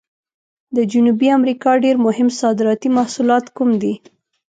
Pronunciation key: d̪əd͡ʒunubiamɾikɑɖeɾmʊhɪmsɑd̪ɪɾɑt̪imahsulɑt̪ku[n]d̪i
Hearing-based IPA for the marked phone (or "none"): m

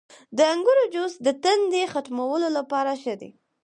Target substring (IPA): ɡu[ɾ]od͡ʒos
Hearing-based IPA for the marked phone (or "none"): ɾ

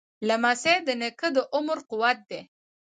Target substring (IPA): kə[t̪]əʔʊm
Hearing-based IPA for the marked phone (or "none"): d̪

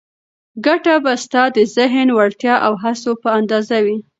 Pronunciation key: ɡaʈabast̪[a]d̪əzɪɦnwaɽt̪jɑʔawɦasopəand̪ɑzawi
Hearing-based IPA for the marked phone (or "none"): ɑ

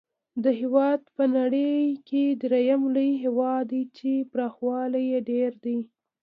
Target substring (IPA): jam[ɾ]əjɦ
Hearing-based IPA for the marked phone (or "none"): l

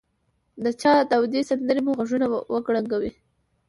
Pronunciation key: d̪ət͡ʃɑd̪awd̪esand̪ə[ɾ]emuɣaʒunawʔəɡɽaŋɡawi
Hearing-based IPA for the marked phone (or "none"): ɾ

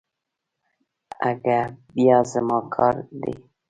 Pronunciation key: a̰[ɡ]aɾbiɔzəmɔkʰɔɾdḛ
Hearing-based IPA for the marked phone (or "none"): ɡ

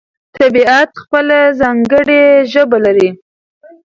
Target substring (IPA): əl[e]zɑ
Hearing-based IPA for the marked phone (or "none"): a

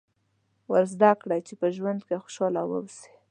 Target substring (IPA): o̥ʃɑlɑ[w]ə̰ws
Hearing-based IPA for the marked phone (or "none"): w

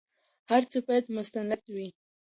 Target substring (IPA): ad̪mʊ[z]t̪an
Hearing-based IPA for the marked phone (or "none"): s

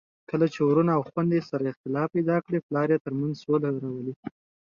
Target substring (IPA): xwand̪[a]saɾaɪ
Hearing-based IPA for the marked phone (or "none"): e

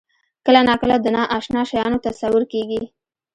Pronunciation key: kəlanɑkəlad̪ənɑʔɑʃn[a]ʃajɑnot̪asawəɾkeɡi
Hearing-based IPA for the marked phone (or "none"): ɑ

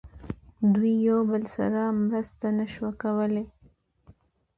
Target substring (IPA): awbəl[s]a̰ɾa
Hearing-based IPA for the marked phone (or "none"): s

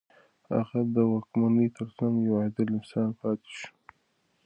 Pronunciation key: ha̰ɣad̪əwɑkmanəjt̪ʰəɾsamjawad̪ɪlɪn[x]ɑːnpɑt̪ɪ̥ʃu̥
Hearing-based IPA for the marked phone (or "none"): s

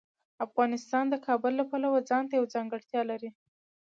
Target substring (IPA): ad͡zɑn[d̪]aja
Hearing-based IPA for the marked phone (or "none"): t̪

